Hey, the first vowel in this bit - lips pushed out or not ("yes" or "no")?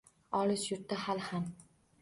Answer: yes